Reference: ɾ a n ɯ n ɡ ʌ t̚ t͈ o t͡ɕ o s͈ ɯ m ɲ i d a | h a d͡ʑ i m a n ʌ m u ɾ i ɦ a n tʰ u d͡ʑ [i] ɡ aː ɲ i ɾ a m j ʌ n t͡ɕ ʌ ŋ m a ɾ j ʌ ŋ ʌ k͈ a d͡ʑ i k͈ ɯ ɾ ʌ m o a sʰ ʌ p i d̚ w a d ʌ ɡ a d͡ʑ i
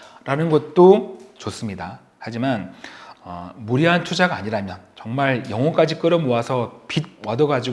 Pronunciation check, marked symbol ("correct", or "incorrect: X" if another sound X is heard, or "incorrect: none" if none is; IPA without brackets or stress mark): incorrect: a